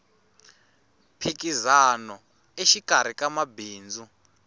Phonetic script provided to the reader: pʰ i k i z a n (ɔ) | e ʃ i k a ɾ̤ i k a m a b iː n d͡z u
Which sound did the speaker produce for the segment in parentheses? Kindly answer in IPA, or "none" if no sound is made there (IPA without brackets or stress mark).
ɔ